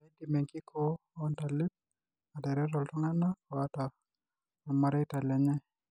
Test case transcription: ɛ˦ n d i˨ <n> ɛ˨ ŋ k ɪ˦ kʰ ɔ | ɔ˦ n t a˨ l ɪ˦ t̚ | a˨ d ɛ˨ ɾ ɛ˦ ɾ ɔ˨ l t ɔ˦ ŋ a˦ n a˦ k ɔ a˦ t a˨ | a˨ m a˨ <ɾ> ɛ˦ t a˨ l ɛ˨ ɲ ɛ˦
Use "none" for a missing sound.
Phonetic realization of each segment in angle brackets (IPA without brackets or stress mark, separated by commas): m, ɾ